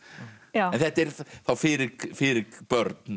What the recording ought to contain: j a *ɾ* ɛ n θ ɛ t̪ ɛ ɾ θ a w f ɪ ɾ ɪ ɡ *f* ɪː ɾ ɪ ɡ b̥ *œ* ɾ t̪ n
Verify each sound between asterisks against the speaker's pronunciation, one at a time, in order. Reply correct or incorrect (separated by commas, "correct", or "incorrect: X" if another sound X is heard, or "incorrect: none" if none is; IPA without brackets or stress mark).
incorrect: none, correct, correct